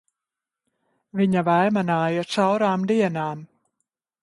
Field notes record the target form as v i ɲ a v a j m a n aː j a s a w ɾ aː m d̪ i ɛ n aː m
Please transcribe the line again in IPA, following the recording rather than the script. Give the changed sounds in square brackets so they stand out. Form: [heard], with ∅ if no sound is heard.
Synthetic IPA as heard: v i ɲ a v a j m a n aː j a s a w ɾ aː m d̪ i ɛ n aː m